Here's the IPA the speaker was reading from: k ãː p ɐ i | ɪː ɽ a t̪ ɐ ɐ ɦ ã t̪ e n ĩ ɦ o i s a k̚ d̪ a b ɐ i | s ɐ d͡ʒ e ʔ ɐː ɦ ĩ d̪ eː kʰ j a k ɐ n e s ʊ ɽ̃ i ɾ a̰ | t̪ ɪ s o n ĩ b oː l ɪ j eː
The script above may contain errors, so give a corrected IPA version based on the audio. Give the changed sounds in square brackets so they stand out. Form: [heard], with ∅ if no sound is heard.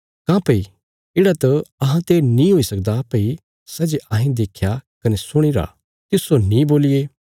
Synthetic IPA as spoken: k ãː p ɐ i | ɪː ɽ a t̪ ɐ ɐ ɦ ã t̪ e n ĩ ɦ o i s [ɐ] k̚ d̪ a [p] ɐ i | s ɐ d͡ʒ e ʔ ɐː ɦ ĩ d̪ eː kʰ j a k ɐ n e s ʊ ɽ̃ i ɾ a̰ | t̪ ɪ s o n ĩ b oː l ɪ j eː